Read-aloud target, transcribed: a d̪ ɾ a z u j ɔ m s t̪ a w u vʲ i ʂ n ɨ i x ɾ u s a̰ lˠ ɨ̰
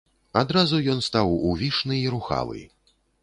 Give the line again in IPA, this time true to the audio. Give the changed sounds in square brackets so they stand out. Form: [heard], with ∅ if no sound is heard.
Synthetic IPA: a d̪ ɾ a z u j ɔ [n] s t̪ a w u vʲ i ʂ n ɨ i [∅] ɾ u [x] a̰ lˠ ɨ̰